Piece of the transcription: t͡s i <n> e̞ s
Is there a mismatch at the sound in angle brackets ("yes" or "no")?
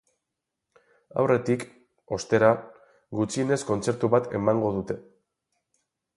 no